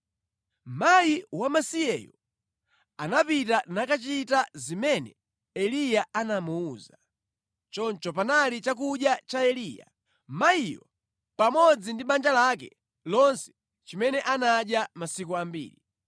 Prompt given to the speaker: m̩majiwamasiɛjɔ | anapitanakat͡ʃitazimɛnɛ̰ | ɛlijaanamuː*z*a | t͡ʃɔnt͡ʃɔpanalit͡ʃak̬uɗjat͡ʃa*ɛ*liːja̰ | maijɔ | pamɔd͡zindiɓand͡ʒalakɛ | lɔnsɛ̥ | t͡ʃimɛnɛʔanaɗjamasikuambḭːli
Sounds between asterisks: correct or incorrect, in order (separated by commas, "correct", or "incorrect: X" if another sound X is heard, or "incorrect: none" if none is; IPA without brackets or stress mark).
correct, correct